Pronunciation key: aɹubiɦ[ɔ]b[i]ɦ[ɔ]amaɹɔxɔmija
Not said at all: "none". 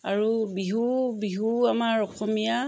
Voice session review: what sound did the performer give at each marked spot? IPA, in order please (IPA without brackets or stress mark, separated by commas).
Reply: u, i, u